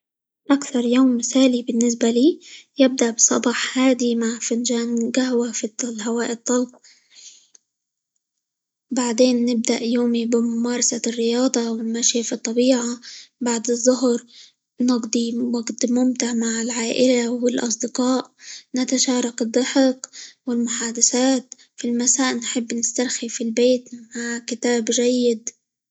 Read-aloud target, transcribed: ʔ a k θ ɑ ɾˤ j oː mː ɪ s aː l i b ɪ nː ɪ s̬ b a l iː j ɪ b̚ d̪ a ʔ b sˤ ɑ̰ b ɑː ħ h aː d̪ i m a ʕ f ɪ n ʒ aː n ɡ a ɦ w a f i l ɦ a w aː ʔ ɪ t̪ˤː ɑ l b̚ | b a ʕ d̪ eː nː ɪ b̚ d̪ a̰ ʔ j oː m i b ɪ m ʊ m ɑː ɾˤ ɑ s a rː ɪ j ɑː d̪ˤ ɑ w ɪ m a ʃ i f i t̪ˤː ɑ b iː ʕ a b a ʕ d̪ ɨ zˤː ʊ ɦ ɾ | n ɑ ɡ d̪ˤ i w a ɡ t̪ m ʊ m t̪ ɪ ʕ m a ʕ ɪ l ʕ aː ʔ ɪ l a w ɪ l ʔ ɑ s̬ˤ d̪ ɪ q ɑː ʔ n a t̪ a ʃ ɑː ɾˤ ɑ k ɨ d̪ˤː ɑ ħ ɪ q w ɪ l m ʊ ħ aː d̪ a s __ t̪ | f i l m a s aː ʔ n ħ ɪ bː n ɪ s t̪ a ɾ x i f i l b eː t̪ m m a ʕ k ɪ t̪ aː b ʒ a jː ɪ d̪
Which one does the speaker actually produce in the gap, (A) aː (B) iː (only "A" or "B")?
A